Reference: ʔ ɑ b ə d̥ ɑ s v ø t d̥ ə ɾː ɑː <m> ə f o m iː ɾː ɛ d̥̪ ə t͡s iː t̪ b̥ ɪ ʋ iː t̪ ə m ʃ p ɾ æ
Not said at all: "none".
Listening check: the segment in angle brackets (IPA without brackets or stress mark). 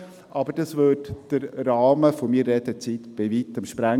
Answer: m